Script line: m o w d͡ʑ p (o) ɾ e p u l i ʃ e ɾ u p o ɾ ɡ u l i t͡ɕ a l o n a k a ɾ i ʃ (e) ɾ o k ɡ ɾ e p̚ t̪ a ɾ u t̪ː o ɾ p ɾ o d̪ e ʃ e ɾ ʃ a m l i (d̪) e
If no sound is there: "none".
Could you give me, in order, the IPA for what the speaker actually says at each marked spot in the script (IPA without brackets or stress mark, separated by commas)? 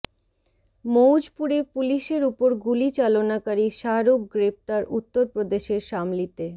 u, a, t̪